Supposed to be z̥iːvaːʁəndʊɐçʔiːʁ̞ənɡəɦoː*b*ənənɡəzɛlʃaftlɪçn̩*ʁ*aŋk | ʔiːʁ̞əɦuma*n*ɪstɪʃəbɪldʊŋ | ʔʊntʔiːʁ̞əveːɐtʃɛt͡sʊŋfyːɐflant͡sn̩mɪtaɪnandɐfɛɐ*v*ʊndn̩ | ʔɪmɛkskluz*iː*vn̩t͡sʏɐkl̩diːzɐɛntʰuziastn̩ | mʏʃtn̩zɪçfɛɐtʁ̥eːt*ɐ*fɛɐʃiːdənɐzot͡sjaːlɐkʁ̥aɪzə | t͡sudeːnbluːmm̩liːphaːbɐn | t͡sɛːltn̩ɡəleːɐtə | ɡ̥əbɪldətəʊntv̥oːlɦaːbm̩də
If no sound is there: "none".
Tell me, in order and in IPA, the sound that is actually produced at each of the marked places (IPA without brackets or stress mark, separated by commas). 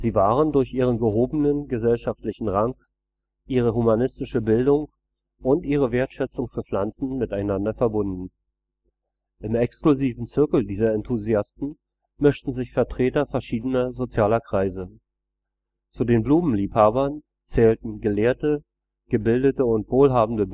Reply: b, ʁ, n, b, iː, ɐ